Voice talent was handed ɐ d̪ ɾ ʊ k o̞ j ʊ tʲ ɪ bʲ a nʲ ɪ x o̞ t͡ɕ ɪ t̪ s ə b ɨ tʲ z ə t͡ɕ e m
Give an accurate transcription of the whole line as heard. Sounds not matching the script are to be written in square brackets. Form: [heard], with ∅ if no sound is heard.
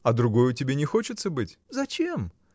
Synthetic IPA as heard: ɐ d̪ ɾ ʊ [ɡ] o̞ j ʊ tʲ ɪ bʲ [e] nʲ ɪ x o̞ t͡ɕ ɪ t̪ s ə b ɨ tʲ z [ɐ] t͡ɕ e m